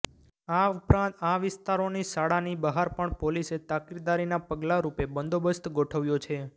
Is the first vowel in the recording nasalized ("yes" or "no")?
no